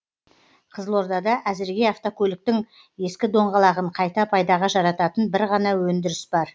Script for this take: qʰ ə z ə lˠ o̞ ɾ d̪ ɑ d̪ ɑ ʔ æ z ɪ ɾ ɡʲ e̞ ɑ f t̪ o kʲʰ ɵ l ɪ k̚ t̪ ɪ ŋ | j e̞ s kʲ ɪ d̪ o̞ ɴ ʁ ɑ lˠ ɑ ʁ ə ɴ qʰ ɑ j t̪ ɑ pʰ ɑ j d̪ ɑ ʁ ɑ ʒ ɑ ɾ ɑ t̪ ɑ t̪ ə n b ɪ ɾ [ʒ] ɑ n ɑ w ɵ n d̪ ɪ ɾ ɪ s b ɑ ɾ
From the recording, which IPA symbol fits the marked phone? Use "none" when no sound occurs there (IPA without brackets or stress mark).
ʁ